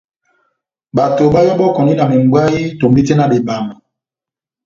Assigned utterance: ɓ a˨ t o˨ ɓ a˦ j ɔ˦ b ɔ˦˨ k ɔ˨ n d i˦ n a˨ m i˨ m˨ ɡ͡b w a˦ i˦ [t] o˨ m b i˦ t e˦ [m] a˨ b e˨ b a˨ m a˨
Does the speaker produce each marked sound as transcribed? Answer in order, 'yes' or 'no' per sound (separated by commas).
yes, no